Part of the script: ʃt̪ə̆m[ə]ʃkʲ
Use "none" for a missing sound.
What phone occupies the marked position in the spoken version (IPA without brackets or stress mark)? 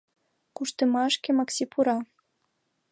ɑ